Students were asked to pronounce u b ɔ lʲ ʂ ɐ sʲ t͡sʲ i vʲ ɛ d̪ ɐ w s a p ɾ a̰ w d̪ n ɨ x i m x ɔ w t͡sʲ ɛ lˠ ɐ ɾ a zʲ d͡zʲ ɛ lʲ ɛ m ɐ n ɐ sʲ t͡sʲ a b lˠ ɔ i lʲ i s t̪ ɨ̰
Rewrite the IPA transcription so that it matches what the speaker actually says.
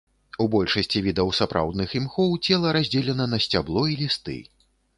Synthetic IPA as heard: u b ɔ lʲ ʂ ɐ sʲ t͡sʲ i vʲ i d̪ ɐ w s a p ɾ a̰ w d̪ n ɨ x i m x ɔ w t͡sʲ ɛ lˠ ɐ ɾ a zʲ d͡zʲ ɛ lʲ ɛ n ɐ n ɐ sʲ t͡sʲ a b lˠ ɔ i lʲ i s t̪ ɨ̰